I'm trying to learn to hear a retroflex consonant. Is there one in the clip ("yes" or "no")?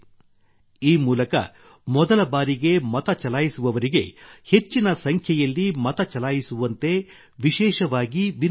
no